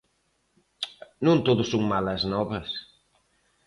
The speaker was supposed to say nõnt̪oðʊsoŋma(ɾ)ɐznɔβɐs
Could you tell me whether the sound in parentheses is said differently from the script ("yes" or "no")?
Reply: yes